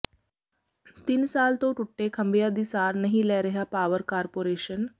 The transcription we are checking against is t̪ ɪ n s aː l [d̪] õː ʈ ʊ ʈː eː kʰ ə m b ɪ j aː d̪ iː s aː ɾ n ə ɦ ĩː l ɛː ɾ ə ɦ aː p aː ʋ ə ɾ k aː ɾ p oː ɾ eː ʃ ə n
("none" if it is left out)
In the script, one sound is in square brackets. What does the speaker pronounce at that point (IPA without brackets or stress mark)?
t̪